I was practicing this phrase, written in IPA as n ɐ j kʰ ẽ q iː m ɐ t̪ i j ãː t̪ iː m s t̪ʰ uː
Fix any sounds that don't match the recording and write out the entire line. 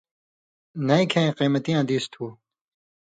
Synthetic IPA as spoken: n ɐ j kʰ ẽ q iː m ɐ t̪ i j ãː d̪ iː s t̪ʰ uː